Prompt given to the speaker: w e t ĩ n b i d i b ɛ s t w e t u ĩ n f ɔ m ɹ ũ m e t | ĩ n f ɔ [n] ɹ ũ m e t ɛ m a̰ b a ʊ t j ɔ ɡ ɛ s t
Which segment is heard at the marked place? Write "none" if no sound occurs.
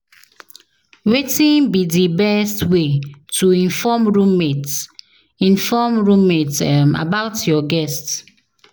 m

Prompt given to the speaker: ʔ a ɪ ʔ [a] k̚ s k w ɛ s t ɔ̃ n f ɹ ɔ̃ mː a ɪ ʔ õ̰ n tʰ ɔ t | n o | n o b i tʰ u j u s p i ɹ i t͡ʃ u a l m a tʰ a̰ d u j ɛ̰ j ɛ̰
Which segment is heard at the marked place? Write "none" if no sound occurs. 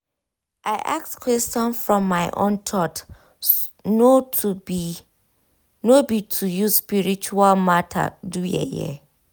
a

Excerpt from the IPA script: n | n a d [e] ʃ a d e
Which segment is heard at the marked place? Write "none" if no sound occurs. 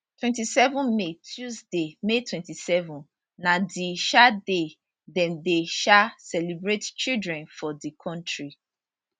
i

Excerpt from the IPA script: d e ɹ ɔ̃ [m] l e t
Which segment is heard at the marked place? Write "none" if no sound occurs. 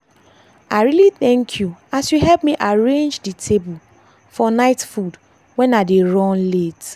n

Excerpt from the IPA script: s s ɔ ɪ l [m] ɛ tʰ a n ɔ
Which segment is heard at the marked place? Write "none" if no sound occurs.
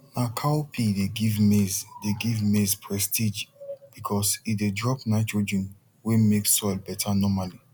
b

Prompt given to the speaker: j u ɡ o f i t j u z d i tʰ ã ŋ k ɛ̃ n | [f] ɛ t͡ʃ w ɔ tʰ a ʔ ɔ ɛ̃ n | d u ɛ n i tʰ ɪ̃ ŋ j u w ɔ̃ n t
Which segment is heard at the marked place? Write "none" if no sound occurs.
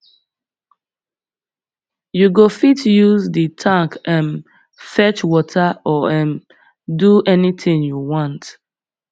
f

